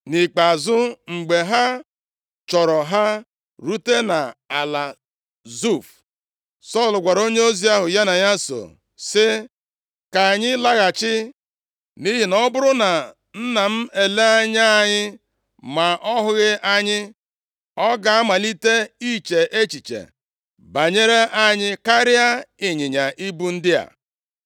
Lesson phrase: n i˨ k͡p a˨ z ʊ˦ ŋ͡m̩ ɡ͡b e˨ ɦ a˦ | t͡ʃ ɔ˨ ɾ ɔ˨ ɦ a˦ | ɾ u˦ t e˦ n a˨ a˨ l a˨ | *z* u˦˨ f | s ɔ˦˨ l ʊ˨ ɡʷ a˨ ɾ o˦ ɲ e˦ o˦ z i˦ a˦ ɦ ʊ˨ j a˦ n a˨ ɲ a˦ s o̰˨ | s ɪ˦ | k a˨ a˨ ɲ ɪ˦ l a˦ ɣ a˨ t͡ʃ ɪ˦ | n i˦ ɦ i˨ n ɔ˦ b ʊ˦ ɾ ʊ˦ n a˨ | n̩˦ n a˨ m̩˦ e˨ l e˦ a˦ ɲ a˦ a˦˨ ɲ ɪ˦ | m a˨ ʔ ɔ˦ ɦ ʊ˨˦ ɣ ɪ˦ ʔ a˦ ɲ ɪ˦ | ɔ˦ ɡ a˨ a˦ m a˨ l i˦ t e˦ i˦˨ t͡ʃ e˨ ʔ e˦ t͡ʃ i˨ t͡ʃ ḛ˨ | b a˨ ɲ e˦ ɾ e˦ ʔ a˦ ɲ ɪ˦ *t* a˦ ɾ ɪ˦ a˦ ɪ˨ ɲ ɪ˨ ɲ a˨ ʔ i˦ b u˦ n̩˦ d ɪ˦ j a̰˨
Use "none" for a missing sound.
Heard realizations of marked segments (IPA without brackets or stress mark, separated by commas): z, k